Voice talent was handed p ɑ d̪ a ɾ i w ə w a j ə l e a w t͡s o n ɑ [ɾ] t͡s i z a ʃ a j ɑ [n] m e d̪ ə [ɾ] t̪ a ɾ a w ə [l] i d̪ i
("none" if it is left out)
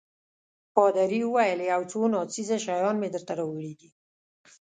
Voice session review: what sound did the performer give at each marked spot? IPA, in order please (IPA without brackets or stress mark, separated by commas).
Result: none, n, ɾ, ɽ